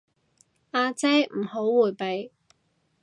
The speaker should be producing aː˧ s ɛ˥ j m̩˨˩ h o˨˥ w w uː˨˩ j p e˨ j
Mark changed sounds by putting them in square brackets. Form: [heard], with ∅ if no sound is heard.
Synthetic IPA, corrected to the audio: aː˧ [t͡s] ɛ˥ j m̩˨˩ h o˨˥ w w uː˨˩ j p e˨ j